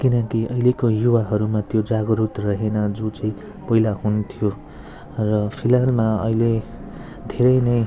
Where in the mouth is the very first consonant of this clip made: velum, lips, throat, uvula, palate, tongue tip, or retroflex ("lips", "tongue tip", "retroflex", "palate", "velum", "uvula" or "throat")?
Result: velum